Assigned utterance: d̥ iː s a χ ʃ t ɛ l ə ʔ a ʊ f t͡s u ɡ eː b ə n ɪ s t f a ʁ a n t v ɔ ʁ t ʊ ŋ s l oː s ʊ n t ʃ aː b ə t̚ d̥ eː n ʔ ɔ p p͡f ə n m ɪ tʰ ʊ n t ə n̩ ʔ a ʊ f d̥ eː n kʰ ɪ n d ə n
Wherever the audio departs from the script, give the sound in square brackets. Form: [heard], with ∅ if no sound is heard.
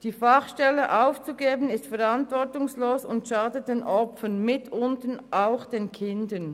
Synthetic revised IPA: d̥ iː [f] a χ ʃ t ɛ l ə ʔ a ʊ f t͡s u ɡ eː b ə n ɪ s t f [ɛ] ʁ a n t v ɔ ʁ t ʊ ŋ s l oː s ʊ n t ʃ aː [d] ə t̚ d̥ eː n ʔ ɔ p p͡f ə n m ɪ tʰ ʊ n t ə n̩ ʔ a ʊ [x] d̥ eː n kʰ ɪ n d ə n